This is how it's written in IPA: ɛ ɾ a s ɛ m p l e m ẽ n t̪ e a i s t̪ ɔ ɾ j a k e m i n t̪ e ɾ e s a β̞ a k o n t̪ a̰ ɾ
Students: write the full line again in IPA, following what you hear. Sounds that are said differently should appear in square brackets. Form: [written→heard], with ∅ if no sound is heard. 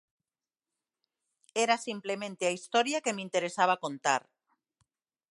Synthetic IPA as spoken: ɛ ɾ a s [ɛ→i] m p l e m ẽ n t̪ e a i s t̪ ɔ ɾ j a k e m i n t̪ e ɾ e s a β̞ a k o n t̪ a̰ ɾ